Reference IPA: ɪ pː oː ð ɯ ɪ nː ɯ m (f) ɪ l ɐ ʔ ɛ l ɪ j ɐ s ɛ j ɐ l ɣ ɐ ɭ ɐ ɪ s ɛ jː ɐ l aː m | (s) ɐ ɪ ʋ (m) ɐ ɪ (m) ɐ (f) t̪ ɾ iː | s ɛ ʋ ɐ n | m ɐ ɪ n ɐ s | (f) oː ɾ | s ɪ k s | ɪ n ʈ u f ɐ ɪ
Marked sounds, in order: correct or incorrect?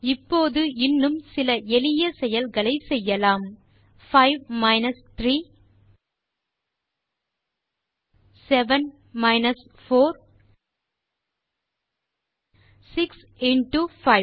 incorrect: s, incorrect: f, correct, incorrect: n, incorrect: s, correct

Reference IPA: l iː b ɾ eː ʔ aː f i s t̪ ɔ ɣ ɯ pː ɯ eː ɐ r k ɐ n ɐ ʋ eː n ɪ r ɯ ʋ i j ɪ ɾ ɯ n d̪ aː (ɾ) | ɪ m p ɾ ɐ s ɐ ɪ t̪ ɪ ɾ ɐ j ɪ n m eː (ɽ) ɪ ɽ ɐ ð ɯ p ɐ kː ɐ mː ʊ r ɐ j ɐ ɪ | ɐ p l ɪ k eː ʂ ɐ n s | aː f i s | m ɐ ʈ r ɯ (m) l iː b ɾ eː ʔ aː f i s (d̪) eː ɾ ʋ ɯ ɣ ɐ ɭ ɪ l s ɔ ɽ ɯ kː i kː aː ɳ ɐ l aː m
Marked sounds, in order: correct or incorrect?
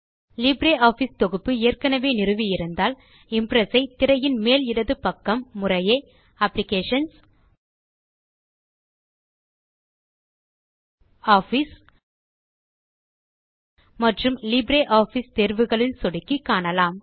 incorrect: l, incorrect: l, correct, incorrect: t̪

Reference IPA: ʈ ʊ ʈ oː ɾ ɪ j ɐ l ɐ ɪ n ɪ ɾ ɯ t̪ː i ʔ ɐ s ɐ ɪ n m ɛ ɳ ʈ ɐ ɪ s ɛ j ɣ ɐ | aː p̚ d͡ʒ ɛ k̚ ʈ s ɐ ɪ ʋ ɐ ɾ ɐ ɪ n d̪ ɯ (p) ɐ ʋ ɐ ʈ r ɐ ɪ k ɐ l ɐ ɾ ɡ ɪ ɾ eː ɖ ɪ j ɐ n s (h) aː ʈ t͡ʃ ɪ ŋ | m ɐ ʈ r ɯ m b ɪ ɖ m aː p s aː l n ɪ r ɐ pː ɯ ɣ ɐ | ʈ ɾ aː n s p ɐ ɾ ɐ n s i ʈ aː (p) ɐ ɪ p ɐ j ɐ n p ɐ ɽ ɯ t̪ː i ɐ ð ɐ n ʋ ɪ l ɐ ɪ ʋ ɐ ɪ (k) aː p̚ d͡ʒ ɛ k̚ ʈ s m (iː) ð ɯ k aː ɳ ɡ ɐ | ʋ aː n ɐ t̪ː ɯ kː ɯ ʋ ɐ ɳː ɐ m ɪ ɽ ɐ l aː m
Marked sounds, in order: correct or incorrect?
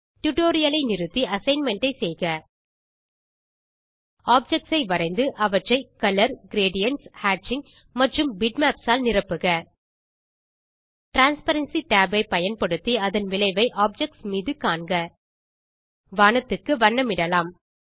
incorrect: ʔ, correct, incorrect: b, incorrect: ʔ, correct

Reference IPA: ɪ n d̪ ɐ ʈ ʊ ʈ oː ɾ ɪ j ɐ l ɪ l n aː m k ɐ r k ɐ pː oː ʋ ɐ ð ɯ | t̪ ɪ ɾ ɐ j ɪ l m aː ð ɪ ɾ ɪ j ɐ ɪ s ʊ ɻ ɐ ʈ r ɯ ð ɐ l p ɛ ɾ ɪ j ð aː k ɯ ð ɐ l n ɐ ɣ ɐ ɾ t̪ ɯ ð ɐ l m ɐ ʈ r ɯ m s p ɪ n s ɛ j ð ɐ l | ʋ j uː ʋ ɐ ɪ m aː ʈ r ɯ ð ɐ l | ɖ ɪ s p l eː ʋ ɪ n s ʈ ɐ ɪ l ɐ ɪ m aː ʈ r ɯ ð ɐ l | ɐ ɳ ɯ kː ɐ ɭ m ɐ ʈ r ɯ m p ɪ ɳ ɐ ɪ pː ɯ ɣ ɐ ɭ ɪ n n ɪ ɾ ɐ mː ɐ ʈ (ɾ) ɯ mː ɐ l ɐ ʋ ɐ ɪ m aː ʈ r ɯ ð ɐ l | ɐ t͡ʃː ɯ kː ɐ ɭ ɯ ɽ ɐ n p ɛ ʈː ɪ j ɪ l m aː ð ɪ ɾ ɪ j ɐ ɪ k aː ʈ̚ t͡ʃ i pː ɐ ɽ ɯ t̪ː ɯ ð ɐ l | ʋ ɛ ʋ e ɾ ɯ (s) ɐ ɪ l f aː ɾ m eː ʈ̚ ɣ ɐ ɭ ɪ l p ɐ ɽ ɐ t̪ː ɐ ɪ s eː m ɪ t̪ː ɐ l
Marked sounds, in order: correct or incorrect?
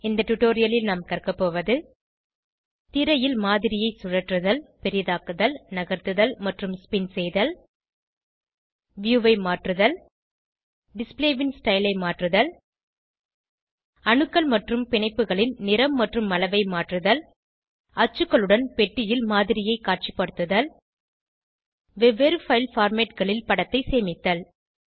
incorrect: r, incorrect: f

